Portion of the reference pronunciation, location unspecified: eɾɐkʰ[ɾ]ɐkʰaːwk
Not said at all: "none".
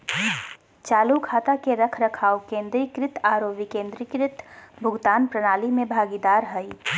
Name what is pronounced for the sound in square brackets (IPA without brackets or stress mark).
ɾ